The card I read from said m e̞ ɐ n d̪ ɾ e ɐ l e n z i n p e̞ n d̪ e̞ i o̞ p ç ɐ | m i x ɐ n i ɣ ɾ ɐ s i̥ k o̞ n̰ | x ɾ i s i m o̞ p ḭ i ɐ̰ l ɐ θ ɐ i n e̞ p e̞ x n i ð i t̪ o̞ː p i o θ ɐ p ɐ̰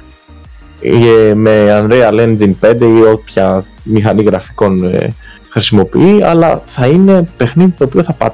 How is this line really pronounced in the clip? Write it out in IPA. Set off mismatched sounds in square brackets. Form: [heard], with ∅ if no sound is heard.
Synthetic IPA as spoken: m e̞ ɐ n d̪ ɾ e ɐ l e n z i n p e̞ n d̪ e̞ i o̞ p ç ɐ | m i x ɐ n i ɣ ɾ ɐ [f] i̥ k o̞ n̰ | x ɾ i s i m o̞ p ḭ i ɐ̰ l ɐ θ ɐ i n e̞ p e̞ x n i ð i t̪ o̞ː p i o θ ɐ p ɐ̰